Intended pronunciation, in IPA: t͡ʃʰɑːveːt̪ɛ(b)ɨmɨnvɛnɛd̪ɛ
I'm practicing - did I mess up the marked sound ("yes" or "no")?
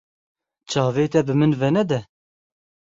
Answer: no